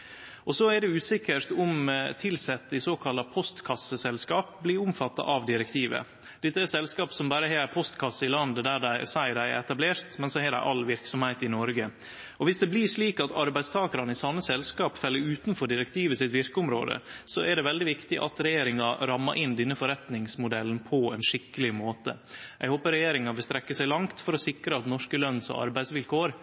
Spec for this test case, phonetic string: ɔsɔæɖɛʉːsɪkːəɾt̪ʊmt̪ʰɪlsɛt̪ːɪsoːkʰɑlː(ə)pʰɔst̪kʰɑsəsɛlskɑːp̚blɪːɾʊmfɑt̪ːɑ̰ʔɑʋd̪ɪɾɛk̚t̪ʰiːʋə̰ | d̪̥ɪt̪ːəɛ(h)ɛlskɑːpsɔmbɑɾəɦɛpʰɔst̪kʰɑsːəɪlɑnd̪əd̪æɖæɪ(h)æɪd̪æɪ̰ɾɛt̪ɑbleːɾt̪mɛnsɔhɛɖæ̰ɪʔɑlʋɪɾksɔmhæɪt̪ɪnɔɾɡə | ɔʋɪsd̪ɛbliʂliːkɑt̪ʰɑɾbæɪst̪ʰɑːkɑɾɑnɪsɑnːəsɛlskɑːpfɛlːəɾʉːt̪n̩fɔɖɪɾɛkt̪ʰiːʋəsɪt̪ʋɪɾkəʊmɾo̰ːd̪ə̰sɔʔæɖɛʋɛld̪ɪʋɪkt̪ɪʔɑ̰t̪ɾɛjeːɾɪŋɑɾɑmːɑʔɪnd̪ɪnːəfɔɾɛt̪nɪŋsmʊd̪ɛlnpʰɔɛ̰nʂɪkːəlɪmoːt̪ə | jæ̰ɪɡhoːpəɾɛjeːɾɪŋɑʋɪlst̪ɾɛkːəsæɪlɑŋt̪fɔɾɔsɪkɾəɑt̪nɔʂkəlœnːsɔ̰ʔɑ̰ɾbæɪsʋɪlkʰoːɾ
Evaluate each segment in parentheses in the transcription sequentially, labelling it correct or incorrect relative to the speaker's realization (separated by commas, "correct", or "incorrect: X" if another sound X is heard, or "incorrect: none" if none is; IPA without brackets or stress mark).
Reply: incorrect: ɑ, incorrect: s, incorrect: s